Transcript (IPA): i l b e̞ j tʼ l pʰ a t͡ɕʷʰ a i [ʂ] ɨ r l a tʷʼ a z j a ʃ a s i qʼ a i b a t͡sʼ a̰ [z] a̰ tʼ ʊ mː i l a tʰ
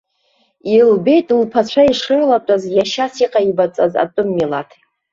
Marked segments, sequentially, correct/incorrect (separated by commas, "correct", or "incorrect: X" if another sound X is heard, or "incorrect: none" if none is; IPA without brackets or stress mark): correct, correct